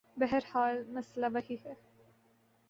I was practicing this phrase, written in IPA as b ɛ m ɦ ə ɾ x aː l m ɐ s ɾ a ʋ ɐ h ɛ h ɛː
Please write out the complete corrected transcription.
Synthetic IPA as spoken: b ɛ ɦ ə ɾ h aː l m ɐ s l a ʋ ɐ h i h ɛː